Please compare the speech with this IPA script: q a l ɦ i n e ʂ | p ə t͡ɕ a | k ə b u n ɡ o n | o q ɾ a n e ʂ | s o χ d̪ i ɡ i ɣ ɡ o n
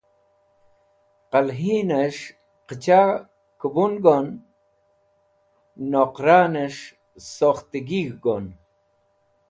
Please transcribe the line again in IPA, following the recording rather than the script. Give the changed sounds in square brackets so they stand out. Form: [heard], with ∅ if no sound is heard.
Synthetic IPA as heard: q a l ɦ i n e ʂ | [q] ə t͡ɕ a | k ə b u n ɡ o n | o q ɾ a n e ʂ | s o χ [t̪] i ɡ i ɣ ɡ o n